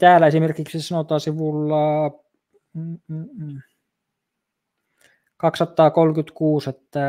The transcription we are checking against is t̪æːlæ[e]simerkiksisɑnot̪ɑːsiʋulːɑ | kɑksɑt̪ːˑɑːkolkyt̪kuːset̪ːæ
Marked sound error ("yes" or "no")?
no